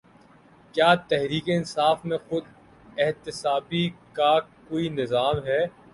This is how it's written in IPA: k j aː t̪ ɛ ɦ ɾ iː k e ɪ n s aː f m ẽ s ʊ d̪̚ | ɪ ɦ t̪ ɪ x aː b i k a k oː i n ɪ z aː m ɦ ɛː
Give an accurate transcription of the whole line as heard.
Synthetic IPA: k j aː t̪ ɛ ɦ ɾ iː k e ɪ n s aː f m ẽ x ʊ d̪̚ | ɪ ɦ t̪ ɪ s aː b i k a k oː i n ɪ z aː m ɦ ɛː